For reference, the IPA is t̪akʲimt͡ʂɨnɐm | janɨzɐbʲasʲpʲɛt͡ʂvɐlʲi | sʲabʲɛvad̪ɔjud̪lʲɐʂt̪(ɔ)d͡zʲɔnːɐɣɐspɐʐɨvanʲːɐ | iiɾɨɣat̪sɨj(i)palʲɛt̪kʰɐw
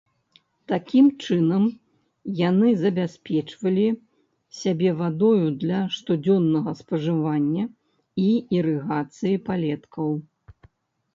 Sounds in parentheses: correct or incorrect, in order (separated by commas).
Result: incorrect, correct